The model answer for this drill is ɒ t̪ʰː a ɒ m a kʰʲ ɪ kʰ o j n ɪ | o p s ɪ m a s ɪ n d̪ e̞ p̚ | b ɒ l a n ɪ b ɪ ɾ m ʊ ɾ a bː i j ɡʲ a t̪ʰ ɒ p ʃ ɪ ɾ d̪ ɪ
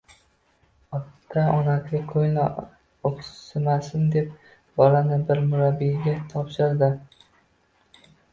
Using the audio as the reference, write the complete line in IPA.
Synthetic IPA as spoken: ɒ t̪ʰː a ɒ n a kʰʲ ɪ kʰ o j n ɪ | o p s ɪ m a s ɪ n d̪ e̞ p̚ | b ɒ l a n ɪ b ɪ ɾ m ʊ ɾ a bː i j ɡʲ a t̪ʰ ɒ p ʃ ɪ ɾ d̪ ɪ